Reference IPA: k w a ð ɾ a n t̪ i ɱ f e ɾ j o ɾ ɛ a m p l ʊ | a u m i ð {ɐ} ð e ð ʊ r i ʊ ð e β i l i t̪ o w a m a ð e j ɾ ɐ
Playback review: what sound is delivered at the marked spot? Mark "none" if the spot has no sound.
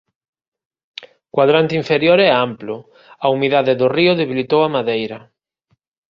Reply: a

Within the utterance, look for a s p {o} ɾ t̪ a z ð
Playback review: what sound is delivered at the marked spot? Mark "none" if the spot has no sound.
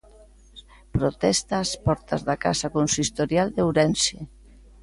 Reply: ɔ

